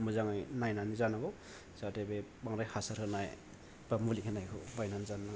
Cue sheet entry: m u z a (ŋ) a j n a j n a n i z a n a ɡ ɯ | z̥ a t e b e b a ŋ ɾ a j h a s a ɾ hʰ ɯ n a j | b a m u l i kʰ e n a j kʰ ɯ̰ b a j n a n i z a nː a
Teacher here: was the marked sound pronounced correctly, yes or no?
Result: yes